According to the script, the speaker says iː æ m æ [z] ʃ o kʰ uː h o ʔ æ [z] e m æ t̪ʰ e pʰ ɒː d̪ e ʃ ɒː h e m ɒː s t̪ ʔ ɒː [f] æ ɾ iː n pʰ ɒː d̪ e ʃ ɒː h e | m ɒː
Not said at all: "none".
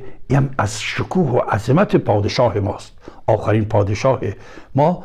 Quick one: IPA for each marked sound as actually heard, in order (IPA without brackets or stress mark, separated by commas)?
z, z, x